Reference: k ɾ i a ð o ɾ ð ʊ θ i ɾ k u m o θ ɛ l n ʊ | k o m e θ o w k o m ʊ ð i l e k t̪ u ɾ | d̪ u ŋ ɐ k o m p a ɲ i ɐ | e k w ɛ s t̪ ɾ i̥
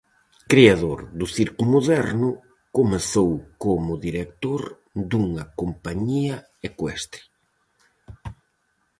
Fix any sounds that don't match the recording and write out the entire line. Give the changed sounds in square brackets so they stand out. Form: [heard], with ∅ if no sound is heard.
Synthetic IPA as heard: k ɾ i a ð o ɾ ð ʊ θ i ɾ k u m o [ð] ɛ [ɾ] n ʊ | k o m e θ o w k o m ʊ ð i [ɾ] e k t̪ [o] ɾ | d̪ u ŋ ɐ k o m p a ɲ i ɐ | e k w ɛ s t̪ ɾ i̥